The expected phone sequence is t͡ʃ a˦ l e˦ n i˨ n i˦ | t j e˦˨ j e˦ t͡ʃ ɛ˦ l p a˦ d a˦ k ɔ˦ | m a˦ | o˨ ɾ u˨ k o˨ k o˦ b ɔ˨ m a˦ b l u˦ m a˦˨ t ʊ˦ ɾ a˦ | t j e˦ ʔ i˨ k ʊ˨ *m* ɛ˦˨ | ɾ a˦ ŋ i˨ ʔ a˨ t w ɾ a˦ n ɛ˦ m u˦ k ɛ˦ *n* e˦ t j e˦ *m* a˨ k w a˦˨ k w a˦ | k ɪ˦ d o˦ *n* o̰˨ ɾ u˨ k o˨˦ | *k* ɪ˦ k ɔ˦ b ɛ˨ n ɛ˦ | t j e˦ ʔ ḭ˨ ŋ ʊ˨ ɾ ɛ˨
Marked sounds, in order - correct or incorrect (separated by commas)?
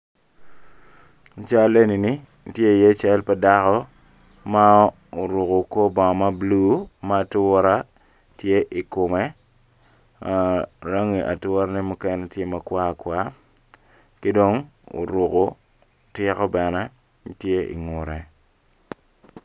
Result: correct, correct, correct, incorrect, incorrect